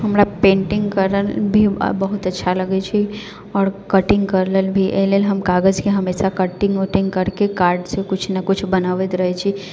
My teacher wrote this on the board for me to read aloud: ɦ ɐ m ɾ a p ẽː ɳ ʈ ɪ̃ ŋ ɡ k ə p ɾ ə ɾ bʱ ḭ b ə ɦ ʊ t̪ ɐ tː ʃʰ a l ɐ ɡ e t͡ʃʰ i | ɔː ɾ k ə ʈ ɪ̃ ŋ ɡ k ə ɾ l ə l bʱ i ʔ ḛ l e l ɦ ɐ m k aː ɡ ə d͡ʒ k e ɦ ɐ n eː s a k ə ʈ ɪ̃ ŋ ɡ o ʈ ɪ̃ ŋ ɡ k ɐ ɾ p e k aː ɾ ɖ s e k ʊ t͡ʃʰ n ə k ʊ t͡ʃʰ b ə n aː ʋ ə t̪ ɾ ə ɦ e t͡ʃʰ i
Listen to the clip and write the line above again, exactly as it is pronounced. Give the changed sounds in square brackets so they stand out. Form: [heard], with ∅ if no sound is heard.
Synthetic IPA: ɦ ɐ m ɾ a p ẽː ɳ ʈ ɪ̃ ŋ ɡ k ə [∅] ɾ ə [l] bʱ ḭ b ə ɦ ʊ t̪ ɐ tː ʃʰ a l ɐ ɡ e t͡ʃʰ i | ɔː ɾ k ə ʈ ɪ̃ ŋ ɡ k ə ɾ l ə l bʱ i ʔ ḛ l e l ɦ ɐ m k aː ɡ ə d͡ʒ k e ɦ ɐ [m] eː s a k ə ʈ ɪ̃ ŋ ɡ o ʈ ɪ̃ ŋ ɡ k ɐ ɾ [k] e k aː ɾ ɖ s e k ʊ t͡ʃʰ n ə k ʊ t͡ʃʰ b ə n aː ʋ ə t̪ ɾ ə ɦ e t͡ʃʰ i